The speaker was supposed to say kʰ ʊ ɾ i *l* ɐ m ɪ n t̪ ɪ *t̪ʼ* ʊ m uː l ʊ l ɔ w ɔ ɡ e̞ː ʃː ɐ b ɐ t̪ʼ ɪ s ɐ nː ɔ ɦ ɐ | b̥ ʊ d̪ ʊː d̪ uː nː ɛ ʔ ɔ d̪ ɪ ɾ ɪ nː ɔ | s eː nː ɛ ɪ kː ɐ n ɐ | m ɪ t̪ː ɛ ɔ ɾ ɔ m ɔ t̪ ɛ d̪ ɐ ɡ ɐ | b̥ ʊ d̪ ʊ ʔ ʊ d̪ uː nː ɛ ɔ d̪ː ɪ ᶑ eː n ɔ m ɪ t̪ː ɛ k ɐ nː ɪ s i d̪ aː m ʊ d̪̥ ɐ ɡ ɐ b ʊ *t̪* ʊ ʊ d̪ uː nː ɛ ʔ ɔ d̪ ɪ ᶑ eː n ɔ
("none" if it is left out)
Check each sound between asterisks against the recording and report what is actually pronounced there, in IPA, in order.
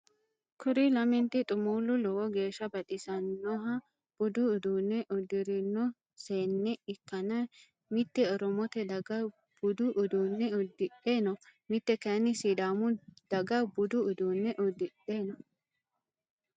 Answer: l, t̪ʼ, d̪

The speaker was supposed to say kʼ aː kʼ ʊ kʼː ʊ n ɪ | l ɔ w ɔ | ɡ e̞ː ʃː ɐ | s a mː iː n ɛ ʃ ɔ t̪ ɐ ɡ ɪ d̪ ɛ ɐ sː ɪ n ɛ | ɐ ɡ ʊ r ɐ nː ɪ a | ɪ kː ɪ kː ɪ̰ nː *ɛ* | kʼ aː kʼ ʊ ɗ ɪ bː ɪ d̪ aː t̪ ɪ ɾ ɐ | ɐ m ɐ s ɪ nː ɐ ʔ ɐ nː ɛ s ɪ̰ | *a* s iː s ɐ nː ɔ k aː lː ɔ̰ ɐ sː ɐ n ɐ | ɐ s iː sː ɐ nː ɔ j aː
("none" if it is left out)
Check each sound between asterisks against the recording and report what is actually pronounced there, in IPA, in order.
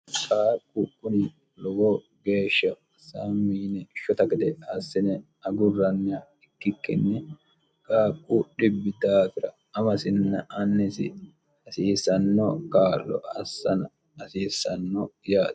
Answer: ɛ, ɐ

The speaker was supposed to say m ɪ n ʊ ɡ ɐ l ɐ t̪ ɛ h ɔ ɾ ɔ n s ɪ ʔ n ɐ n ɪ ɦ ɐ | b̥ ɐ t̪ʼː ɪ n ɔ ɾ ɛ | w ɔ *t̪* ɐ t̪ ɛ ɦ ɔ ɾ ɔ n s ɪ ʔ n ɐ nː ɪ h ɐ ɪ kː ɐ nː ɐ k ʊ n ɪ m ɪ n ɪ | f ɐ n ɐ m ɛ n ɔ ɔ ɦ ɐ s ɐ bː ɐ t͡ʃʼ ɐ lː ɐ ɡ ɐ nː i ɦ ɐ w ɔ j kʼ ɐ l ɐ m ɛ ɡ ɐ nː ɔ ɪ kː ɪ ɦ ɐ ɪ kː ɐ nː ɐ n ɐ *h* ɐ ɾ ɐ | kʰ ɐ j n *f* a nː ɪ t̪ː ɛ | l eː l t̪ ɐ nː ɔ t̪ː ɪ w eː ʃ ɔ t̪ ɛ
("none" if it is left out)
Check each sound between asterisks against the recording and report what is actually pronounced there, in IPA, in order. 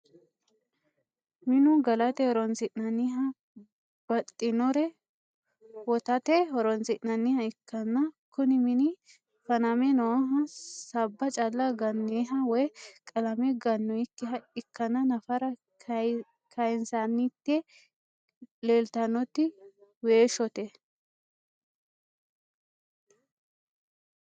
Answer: t̪, f, s

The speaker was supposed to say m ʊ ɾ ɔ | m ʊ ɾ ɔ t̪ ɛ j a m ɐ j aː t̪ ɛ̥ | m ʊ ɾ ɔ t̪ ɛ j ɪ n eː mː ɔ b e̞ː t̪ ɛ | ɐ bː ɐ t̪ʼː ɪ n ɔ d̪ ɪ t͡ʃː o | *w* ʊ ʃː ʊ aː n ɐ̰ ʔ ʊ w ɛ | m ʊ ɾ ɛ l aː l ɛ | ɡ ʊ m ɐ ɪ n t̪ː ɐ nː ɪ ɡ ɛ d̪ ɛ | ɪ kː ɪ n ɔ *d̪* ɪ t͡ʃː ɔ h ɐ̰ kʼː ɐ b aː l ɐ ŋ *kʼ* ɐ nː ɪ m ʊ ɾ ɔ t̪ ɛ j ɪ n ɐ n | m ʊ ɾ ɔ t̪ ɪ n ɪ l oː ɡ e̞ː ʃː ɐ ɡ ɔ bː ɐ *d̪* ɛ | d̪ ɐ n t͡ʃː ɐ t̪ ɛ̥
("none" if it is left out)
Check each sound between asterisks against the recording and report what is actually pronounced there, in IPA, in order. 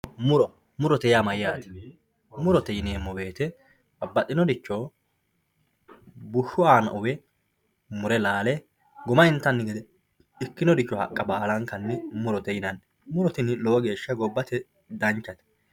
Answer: b, d̪, k, t̪

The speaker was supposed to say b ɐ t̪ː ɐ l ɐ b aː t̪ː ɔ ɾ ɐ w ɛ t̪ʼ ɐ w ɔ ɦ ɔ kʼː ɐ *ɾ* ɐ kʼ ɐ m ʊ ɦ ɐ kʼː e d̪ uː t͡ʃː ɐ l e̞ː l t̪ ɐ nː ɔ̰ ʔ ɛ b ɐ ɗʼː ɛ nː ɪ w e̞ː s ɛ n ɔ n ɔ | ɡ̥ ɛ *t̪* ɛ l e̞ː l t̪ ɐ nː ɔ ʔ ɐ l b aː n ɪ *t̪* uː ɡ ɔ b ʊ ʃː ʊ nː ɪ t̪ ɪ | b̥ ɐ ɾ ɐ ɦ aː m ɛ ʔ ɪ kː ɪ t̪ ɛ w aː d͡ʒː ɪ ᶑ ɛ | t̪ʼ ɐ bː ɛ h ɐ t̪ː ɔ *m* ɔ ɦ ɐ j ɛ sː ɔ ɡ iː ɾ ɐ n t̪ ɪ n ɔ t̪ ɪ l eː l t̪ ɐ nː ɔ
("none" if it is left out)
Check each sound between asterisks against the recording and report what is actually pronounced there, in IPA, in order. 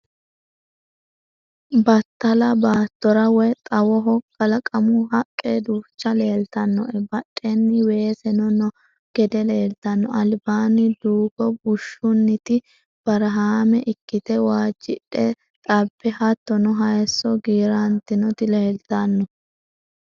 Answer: l, d̪, d̪, n

